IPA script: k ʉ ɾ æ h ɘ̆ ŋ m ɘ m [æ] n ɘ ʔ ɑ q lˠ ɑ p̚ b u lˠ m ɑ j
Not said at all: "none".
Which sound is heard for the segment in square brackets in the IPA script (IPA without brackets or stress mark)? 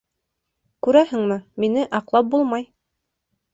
i